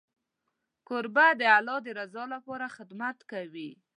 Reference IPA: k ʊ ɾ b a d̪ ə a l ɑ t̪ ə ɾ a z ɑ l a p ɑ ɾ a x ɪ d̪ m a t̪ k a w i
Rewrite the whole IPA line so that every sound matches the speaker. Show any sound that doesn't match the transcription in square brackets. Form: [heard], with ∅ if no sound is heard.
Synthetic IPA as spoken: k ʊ ɾ b a d̪ ə a l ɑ [d̪] ə ɾ a z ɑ l a p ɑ ɾ a x ɪ d̪ m a t̪ k a w i